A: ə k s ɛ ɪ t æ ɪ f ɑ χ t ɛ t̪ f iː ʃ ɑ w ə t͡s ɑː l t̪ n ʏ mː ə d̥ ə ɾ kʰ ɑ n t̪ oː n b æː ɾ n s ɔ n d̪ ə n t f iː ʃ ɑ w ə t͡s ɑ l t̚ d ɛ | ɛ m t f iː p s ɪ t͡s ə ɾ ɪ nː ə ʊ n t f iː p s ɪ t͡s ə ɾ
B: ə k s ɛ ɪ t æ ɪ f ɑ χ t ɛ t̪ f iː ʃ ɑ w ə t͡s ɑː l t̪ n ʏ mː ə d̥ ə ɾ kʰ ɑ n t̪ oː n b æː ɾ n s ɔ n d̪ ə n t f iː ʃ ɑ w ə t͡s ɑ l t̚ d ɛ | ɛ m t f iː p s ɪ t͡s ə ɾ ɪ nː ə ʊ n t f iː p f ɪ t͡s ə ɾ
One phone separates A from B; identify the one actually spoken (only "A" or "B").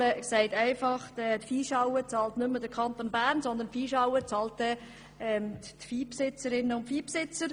A